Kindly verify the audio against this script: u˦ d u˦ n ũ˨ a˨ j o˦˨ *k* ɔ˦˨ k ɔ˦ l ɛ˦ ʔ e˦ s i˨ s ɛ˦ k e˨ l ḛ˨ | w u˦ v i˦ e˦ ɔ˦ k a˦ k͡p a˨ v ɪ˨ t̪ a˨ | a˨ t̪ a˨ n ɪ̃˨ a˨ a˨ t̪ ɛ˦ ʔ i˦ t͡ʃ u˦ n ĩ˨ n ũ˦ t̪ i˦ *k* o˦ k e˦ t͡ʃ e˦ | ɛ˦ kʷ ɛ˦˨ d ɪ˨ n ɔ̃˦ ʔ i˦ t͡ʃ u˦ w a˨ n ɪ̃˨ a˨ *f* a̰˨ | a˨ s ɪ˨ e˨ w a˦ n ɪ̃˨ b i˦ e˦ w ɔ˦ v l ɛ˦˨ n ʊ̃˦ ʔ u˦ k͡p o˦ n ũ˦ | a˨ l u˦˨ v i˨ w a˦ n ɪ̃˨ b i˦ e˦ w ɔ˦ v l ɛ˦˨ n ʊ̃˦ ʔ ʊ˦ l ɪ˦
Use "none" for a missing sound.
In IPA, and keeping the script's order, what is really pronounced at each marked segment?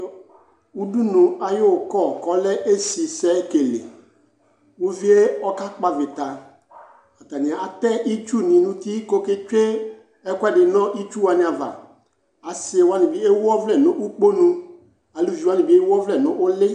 k, k, v

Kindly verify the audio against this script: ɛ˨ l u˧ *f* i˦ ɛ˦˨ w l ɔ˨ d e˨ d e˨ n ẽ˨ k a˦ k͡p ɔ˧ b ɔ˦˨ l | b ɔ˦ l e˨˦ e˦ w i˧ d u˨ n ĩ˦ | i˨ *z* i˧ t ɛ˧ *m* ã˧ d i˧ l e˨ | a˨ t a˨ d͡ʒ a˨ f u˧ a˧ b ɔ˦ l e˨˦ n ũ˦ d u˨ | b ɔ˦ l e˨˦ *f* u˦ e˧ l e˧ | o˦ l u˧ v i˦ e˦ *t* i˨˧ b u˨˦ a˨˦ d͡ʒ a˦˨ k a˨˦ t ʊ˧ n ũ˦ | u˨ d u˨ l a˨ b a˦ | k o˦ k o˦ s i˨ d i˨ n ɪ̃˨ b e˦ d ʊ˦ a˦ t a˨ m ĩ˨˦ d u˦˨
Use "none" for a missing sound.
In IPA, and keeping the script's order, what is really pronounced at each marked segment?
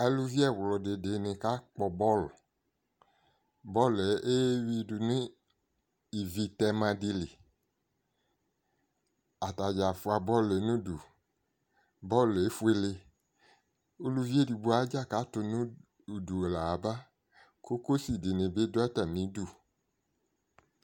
v, v, m, f, d

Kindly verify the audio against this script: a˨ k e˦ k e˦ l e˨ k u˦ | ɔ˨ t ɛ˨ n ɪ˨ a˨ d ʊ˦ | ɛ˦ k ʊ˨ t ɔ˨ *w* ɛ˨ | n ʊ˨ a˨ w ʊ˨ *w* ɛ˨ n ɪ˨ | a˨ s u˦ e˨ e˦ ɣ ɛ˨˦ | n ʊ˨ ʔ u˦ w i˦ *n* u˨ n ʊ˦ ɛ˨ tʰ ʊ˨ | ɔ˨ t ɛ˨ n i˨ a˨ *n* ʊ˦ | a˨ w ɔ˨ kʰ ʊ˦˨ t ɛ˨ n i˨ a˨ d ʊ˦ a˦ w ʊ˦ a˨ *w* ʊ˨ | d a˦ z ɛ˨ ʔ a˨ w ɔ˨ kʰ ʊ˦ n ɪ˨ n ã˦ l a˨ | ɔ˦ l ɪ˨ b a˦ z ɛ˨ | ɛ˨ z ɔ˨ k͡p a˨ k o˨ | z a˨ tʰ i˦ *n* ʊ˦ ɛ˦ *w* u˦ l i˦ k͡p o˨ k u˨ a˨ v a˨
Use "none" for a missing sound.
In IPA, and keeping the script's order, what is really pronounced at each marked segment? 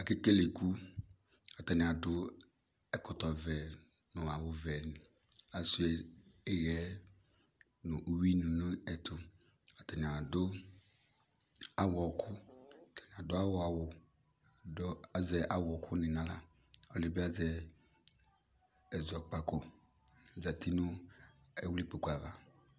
v, v, n, d, w, n, w

